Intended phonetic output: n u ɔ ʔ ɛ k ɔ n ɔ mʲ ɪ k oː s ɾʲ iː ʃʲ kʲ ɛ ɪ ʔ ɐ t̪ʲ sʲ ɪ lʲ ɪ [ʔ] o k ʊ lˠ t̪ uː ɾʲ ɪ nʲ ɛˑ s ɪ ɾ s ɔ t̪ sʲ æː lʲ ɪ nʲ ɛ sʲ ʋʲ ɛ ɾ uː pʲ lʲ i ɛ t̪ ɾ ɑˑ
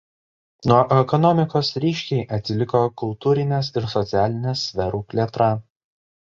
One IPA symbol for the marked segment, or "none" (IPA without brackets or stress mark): k